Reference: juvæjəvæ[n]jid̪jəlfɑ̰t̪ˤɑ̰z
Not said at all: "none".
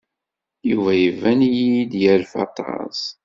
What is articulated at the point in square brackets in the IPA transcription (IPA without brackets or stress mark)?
n